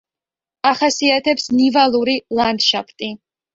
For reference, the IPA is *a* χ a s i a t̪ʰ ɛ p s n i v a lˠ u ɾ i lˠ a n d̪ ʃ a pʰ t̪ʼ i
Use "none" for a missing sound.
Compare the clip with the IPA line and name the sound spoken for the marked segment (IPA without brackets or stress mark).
a